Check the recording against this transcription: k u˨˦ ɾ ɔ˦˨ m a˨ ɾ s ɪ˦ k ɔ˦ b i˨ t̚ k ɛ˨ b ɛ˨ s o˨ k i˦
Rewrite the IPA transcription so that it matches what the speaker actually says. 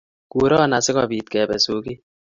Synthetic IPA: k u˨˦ ɾ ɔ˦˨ n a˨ s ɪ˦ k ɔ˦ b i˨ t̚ k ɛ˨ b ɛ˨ s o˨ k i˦